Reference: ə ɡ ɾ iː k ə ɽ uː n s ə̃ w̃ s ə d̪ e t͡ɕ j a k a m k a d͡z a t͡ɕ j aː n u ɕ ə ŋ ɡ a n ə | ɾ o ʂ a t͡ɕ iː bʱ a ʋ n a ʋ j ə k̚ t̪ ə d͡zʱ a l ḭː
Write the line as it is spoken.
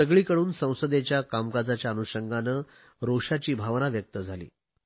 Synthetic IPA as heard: ə ɡ ɭ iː k ə ɽ uː n s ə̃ w̃ s ə d̪ e t͡ɕ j a k a m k a d͡z a t͡ɕ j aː n u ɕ ə ŋ ɡ a n ə | ɾ o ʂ a t͡ɕ iː bʱ a ʋ n a ʋ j ə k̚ t̪ ə d͡zʱ a l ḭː